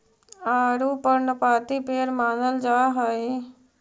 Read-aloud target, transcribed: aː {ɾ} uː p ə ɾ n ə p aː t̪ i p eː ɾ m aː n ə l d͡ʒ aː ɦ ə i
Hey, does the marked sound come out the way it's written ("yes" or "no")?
yes